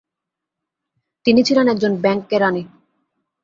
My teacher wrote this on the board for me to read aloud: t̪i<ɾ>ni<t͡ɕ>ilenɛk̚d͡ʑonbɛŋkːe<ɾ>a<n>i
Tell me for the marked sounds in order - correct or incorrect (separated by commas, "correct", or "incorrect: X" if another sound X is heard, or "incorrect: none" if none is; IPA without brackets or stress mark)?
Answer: incorrect: none, incorrect: t͡ɕʰ, correct, correct